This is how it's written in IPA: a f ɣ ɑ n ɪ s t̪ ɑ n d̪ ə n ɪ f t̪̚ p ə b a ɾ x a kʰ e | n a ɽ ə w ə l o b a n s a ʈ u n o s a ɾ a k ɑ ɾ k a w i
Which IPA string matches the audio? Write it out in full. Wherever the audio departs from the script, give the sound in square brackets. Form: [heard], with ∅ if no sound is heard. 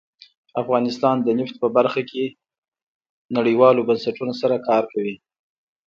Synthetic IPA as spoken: a f ɣ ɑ n ɪ s t̪ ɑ n d̪ ə n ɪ f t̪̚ p ə b a ɾ x a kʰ e | n a ɽ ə w [ɑ] l o b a n s a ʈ u n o s a ɾ a k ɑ ɾ k a w i